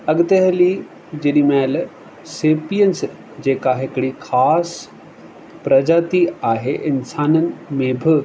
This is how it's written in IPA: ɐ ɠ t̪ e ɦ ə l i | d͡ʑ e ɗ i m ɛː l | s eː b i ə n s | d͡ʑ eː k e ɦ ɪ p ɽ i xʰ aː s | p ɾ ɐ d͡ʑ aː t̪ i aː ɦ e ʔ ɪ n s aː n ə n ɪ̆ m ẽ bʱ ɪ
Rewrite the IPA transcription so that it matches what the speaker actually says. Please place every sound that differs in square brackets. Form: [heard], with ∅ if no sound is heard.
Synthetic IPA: ɐ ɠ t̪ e ɦ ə l i | d͡ʑ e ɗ i m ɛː l | s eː [p] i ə n s | d͡ʑ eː k [a] ɦ ɪ [k] ɽ i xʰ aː s | p ɾ ɐ d͡ʑ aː t̪ i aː ɦ e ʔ ɪ n s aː n ə n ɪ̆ m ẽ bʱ ɪ